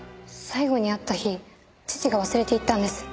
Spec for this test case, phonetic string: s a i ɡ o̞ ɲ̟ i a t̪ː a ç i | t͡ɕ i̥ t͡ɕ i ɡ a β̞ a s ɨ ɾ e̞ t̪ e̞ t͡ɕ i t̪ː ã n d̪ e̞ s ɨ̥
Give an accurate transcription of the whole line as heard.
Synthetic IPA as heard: s a i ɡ o̞ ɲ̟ i a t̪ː a ç i | t͡ɕ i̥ t͡ɕ i ɡ a β̞ a s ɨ ɾ e̞ t̪ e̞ i t̪ː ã n d̪ e̞ s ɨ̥